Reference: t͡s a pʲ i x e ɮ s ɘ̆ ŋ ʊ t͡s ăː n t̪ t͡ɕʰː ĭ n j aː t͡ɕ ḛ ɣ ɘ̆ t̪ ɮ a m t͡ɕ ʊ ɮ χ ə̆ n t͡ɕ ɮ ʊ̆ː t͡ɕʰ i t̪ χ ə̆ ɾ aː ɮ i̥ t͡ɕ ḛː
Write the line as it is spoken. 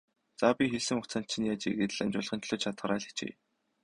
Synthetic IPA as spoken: t͡s a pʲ i x e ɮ s ɘ̆ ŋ ʊ t͡s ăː n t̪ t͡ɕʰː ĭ n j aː t͡ɕ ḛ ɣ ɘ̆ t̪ ɮ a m t͡ɕ ʊ ɮ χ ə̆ n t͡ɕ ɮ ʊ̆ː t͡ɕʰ a t̪ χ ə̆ ɾ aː ɮ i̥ t͡ɕ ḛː